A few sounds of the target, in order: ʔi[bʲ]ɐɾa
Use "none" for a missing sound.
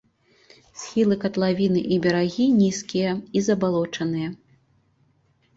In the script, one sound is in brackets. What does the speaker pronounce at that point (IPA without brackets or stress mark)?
bʲ